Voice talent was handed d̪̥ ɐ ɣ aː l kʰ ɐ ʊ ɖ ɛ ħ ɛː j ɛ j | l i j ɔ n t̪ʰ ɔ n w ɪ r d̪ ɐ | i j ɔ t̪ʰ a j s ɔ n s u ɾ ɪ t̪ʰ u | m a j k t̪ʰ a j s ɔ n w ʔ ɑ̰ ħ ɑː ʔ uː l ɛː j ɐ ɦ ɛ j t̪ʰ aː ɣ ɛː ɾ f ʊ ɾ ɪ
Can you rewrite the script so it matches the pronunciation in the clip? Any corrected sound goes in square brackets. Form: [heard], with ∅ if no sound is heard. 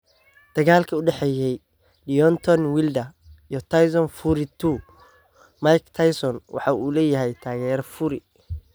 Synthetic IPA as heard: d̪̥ ɐ ɣ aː l kʰ ɐ ʊ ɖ ɛ ħ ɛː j ɛ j | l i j ɔ n t̪ʰ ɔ n w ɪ [l] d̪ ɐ | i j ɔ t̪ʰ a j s ɔ n [f] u ɾ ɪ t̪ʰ u | m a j k t̪ʰ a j s ɔ n w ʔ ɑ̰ ħ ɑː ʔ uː l ɛː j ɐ ɦ ɛ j t̪ʰ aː ɣ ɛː ɾ f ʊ ɾ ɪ